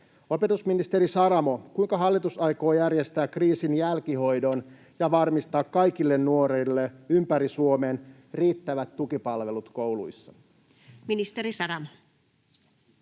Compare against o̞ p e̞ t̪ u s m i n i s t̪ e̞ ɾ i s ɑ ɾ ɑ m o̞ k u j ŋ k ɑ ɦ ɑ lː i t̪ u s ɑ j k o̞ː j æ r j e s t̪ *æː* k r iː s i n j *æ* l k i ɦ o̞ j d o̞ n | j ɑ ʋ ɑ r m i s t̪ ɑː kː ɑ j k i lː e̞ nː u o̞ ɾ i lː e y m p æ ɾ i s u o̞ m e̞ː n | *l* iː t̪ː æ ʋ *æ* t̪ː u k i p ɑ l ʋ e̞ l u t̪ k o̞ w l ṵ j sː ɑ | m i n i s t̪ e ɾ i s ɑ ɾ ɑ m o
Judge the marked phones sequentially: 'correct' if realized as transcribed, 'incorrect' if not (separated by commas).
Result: correct, correct, incorrect, correct